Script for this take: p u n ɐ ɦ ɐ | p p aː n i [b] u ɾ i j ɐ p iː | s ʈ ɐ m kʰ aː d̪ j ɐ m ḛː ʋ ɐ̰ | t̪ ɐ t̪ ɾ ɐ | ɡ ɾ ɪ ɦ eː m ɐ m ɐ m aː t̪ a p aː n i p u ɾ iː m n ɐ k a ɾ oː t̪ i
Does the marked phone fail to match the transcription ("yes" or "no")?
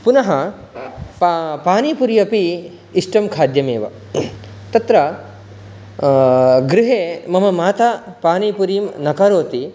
yes